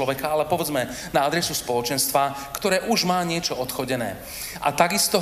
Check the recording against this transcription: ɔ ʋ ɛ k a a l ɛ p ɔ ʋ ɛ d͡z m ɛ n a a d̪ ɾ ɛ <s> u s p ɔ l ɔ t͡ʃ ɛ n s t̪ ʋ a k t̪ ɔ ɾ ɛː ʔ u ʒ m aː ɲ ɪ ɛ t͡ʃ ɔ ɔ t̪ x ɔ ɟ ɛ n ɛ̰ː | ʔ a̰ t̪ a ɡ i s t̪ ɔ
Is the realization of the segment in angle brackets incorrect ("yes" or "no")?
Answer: no